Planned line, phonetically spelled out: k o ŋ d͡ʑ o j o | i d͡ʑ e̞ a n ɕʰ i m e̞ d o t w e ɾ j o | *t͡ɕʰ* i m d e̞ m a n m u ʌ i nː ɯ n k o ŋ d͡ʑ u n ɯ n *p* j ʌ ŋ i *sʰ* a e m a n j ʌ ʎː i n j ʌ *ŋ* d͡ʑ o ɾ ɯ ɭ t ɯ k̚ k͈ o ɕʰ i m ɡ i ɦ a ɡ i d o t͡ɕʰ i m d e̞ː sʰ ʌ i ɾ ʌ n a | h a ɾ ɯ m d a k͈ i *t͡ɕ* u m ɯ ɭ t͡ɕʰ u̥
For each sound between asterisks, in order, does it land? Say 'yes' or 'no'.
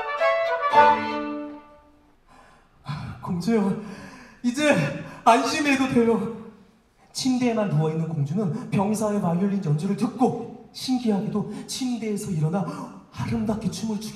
yes, yes, yes, no, no

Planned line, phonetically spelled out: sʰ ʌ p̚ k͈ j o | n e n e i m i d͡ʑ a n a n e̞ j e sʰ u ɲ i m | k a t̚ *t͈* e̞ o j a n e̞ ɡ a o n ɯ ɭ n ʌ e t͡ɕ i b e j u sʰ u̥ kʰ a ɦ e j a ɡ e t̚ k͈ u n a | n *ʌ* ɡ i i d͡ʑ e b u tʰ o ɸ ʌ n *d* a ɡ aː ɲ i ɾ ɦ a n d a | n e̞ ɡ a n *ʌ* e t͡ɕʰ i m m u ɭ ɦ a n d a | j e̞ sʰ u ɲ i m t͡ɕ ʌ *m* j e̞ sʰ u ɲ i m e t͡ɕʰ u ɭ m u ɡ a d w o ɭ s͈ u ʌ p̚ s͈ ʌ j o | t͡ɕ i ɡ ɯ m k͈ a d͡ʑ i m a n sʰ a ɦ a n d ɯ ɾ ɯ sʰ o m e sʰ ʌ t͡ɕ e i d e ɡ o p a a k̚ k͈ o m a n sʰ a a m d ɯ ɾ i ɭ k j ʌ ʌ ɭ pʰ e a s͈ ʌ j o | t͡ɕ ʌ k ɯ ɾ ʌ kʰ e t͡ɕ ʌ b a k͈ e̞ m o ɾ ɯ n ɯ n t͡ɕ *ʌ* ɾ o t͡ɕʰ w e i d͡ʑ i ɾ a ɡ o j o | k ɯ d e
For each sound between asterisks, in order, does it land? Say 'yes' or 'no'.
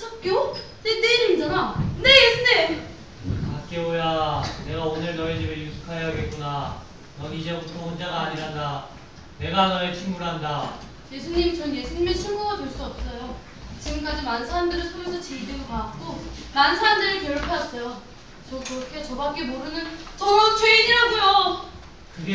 no, yes, no, yes, no, yes

